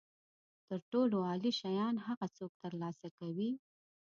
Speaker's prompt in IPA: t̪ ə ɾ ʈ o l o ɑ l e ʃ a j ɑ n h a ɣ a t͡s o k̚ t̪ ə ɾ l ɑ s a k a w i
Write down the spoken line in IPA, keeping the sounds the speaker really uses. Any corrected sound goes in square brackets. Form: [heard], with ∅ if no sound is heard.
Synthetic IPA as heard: t̪ ə ɾ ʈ o l o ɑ l [i] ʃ a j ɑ n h a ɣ a t͡s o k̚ t̪ ə ɾ l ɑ s a k a w i